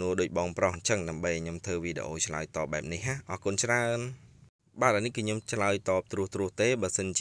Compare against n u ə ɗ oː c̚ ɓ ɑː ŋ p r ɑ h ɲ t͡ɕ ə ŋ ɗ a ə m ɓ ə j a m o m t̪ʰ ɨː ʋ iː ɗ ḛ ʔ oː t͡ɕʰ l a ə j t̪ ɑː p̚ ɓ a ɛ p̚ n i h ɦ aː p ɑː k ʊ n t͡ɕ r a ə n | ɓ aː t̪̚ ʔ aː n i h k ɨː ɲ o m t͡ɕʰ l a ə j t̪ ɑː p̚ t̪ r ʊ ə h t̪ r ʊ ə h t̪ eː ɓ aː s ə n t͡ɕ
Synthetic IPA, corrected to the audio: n u ə ɗ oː c̚ ɓ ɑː ŋ p r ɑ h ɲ t͡ɕ ə ŋ ɗ a ə m ɓ ə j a ɲ o m t̪ʰ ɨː ʋ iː ɗ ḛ ʔ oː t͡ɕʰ l a ə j t̪ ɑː p̚ ɓ a ɛ p̚ n i h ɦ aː ʔ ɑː k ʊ n t͡ɕ r a ə n | ɓ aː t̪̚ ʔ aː n i h k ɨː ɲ o m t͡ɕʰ l a ə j t̪ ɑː p̚ t̪ r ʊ ə h t̪ r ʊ ə h t̪ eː ɓ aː s ə n t͡ɕ